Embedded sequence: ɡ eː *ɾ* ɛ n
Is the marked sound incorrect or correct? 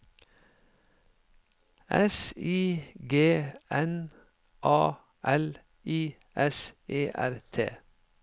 incorrect